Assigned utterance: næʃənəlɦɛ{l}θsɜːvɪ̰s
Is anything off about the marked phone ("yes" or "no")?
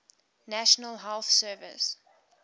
no